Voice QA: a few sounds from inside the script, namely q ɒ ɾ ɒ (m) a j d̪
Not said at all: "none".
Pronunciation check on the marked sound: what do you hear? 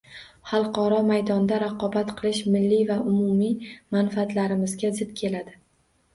m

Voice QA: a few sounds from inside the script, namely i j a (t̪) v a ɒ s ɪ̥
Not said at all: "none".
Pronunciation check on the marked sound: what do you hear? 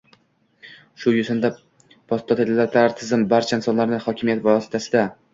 t̪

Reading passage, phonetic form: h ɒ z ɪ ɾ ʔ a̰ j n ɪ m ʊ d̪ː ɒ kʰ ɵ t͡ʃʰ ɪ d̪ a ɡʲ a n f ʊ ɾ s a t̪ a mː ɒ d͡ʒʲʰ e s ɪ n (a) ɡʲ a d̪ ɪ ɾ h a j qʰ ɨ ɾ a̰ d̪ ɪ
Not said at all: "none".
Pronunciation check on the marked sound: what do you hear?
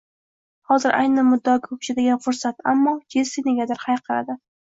e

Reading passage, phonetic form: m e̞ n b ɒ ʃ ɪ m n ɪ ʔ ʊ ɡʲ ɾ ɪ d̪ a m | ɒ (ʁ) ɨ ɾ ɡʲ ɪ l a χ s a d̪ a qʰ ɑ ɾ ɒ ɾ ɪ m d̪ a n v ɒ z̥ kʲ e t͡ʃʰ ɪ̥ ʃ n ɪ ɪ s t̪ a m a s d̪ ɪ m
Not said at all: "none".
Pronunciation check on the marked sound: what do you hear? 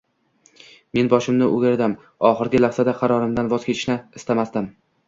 χ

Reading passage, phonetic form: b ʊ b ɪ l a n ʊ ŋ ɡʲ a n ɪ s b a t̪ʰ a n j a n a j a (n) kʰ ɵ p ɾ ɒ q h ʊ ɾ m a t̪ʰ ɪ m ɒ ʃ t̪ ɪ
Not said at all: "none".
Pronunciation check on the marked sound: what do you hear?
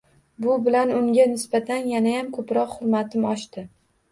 m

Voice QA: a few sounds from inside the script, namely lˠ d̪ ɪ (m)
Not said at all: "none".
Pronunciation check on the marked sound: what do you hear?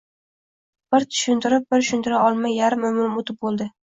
none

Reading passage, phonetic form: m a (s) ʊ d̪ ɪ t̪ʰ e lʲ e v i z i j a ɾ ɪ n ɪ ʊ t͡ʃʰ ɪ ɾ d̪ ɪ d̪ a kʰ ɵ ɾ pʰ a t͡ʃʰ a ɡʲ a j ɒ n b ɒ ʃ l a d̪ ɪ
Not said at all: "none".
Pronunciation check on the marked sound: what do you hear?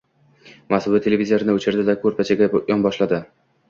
s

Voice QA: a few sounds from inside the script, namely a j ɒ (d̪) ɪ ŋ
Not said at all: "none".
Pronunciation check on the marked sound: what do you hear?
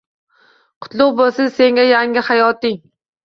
t̪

